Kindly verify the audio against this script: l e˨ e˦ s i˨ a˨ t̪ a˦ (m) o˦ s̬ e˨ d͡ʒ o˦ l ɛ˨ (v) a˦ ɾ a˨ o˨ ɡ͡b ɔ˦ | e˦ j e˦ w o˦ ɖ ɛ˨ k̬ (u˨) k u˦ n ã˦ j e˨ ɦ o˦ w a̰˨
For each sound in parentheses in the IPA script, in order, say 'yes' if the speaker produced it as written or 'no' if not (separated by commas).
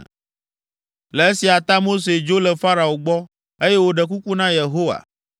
yes, no, no